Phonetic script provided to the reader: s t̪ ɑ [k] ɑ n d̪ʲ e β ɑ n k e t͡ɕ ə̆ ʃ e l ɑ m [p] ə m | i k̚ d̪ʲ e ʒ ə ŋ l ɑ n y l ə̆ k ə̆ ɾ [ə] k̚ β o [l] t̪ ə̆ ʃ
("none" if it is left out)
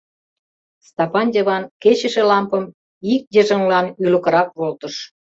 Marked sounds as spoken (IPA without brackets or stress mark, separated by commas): p, p, ɑ, l